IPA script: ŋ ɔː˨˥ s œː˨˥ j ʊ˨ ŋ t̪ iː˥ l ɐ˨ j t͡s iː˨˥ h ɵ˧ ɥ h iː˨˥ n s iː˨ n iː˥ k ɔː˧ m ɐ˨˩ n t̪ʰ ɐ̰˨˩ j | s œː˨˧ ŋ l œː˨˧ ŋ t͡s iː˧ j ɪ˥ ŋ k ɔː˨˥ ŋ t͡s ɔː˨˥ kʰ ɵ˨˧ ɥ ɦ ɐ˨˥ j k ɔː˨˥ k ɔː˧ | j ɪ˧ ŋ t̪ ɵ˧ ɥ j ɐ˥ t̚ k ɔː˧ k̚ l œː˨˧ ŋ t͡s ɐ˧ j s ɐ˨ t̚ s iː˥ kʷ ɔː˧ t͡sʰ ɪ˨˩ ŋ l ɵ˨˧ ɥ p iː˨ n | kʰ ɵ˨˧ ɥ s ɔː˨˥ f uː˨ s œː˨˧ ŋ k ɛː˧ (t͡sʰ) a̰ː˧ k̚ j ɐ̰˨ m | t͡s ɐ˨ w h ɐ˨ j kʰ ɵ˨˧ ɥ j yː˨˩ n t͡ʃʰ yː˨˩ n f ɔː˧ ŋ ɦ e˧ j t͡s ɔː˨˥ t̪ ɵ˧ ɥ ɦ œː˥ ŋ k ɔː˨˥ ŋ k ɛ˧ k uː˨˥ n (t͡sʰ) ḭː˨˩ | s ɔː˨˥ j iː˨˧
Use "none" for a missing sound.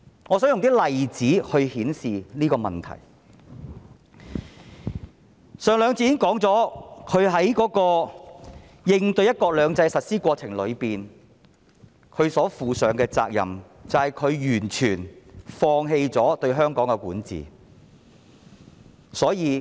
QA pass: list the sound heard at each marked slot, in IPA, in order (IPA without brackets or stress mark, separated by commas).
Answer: t͡s, t͡s